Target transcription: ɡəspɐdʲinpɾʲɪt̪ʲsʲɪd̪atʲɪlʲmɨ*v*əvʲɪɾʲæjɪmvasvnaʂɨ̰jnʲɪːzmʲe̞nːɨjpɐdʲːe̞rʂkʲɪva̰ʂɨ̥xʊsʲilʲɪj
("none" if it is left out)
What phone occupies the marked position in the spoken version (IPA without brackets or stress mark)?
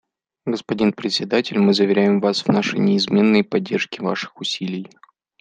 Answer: z